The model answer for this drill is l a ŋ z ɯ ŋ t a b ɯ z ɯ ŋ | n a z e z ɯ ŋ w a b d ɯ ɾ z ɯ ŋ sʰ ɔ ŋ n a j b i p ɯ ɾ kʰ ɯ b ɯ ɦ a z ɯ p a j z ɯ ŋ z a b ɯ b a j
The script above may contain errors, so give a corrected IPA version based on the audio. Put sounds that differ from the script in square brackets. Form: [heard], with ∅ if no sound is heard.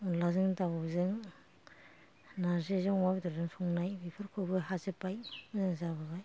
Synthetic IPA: l a [∅] z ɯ ŋ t a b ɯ z ɯ ŋ | n a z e z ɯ ŋ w a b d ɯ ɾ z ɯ ŋ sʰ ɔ ŋ n a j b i [pʰ] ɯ ɾ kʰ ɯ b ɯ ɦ a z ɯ p a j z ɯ ŋ z a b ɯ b a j